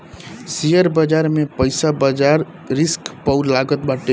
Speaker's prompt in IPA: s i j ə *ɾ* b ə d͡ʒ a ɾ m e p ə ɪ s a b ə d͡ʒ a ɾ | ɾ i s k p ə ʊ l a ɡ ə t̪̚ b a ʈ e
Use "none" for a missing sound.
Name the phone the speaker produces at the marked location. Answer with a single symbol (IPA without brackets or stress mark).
ɾ